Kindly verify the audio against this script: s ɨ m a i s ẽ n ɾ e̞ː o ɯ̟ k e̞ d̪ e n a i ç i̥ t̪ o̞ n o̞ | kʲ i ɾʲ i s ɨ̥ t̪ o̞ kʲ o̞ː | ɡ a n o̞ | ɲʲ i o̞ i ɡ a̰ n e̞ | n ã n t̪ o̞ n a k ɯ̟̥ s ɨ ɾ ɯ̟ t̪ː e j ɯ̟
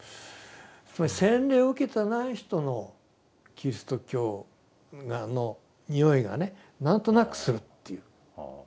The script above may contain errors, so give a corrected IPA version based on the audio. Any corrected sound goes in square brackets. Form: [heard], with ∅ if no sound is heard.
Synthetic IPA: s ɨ m a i s ẽ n ɾ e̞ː o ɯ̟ k e̞ [t̪] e n a i ç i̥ t̪ o̞ n o̞ | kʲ i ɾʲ i s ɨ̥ t̪ o̞ kʲ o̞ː | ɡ a n o̞ | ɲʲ i o̞ i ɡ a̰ n e̞ | n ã n t̪ o̞ n a k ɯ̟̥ s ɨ ɾ ɯ̟ t̪ː e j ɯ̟